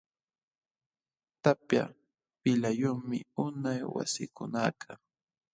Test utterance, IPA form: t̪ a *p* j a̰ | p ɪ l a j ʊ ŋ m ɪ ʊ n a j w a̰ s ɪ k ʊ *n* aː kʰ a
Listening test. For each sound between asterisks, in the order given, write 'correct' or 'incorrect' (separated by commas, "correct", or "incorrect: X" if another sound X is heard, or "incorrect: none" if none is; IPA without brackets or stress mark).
correct, correct